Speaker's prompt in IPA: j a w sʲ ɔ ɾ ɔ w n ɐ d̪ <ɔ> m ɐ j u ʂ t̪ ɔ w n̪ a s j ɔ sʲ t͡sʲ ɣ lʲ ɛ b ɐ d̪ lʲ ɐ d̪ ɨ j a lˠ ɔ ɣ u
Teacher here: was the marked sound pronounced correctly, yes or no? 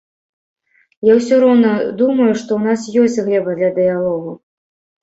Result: no